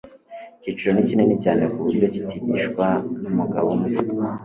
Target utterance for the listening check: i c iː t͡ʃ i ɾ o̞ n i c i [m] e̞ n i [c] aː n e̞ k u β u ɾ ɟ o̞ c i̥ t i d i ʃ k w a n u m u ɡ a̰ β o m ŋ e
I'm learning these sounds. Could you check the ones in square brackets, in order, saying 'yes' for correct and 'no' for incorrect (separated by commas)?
no, yes